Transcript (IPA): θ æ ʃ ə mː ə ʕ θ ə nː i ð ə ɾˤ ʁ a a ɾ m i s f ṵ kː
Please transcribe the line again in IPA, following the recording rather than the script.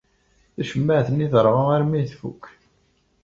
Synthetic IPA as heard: θ æ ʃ ə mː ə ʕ θ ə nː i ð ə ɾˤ ʁ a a ɾ m i θ f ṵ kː